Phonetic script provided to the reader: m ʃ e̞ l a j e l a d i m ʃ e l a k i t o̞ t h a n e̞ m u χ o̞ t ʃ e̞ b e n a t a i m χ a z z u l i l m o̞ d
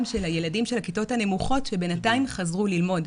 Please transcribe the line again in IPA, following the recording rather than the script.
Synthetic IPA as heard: m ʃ e̞ l a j e l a d i m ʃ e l a k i t o̞ t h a n e̞ m u χ o̞ t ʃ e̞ b e n a t a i m χ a z ʁ u l i l m o̞ d